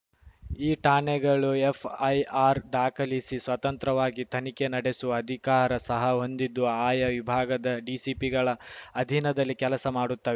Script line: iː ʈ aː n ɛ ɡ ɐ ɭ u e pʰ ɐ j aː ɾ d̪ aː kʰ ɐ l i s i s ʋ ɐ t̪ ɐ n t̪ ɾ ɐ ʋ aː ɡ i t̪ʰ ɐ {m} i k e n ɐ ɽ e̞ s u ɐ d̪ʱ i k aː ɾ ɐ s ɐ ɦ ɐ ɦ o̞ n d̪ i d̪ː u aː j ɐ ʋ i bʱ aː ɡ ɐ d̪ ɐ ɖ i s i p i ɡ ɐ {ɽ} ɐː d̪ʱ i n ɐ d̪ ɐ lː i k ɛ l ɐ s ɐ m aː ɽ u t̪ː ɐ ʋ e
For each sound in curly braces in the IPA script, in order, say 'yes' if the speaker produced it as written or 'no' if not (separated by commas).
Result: no, no